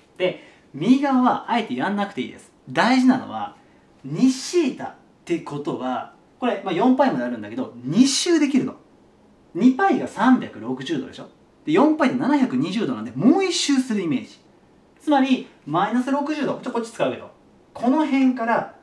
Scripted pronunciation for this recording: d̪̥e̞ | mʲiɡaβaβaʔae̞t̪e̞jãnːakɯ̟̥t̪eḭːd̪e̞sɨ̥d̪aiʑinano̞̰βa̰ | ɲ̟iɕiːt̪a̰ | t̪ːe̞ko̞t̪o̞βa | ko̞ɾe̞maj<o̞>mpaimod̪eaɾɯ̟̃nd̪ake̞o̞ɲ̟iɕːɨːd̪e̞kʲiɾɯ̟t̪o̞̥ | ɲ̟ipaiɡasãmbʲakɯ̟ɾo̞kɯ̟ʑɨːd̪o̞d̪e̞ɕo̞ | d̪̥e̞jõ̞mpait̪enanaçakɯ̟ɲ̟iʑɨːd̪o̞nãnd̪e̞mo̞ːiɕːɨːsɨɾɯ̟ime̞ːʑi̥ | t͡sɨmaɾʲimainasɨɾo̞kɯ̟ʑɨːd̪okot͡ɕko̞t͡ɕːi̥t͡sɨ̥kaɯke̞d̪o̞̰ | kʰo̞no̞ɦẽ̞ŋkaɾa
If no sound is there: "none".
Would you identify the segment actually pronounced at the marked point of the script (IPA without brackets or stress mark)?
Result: õ̞